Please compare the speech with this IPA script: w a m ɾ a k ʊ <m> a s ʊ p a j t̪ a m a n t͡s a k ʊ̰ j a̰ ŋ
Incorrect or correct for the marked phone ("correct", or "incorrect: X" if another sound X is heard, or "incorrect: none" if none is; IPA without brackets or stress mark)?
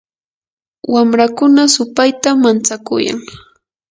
incorrect: n